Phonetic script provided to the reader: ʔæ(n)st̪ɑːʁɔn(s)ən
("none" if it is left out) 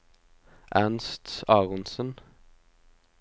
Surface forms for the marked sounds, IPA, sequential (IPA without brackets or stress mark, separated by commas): n, s